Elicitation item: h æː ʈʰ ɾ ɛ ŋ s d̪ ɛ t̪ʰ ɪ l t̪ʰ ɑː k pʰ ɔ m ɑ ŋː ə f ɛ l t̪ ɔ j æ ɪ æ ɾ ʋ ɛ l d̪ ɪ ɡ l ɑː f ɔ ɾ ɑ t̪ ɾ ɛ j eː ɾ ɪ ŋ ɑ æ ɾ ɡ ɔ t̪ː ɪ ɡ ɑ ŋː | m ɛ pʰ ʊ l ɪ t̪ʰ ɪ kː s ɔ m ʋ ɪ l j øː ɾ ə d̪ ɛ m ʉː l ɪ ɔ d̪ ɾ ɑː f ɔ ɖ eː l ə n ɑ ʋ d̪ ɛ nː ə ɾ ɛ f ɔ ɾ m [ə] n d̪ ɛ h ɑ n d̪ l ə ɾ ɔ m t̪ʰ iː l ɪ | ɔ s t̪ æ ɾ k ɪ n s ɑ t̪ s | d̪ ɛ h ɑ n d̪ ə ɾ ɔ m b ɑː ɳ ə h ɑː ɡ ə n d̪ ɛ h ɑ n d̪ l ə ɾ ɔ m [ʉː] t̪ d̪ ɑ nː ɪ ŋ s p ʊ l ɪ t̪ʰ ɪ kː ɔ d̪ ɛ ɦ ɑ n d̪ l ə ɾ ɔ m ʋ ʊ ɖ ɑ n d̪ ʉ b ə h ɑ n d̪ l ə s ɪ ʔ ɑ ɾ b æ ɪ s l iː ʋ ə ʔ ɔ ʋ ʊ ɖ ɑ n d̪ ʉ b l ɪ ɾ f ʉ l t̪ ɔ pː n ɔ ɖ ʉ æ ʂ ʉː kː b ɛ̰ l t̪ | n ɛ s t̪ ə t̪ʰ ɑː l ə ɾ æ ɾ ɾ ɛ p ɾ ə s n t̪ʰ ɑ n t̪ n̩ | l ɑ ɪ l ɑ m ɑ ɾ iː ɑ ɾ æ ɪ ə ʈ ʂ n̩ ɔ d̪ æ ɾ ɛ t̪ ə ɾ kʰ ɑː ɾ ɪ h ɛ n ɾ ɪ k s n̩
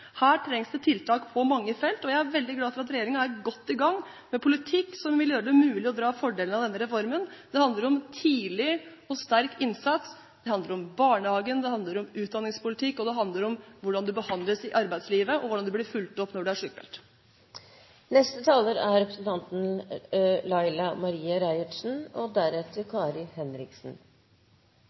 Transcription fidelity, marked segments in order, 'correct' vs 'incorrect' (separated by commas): correct, correct